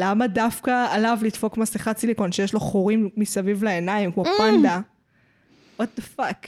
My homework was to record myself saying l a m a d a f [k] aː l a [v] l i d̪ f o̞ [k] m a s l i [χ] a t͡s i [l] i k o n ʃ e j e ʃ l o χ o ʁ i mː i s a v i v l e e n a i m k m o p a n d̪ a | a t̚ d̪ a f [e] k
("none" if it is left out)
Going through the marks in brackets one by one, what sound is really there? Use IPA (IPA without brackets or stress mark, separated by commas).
k, v, k, χ, l, a